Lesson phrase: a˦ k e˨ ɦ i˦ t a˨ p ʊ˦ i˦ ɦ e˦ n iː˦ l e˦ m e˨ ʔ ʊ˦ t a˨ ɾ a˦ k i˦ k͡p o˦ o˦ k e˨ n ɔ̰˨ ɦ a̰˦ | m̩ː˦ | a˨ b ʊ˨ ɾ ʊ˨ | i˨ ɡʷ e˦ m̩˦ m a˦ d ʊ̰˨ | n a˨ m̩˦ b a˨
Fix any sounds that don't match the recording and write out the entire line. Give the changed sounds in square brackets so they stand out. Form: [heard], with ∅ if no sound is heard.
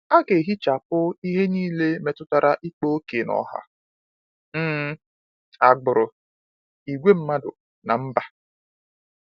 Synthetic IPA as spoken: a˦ k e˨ ɦ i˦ [t͡ʃ] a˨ p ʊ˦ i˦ ɦ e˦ n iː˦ l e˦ m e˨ [t] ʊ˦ t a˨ ɾ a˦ [ʔ] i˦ k͡p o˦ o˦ k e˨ n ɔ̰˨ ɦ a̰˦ | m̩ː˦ | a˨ [ɡ͡b] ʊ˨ ɾ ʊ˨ | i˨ ɡʷ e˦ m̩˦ m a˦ d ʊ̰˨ | n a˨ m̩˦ b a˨